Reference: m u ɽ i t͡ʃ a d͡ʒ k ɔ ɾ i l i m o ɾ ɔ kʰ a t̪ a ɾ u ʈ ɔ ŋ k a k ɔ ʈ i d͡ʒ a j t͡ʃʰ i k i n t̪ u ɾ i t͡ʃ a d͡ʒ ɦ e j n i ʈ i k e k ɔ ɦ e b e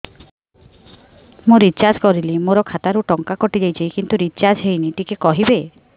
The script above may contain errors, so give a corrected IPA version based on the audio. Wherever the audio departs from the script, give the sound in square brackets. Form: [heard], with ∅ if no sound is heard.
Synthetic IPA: m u [ɾ] i t͡ʃ a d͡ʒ k ɔ ɾ i l i m o ɾ ɔ kʰ a t̪ a ɾ u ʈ ɔ ŋ k a k ɔ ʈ i d͡ʒ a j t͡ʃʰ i k i n t̪ u ɾ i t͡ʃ a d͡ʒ ɦ e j n i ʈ i k e k ɔ ɦ [i] b e